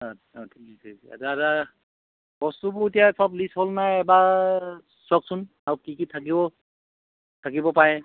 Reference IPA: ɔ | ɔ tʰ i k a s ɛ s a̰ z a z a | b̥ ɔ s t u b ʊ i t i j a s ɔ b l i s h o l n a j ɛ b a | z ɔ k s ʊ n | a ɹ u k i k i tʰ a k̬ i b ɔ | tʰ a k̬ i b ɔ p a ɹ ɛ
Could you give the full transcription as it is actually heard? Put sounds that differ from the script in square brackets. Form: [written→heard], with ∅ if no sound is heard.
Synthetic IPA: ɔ | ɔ tʰ i k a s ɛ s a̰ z a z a | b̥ ɔ s t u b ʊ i t i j a s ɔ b l i s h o l n a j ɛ b a | [z→s] ɔ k s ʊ n | a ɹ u k i k i tʰ a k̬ i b ɔ | tʰ a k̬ i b ɔ p a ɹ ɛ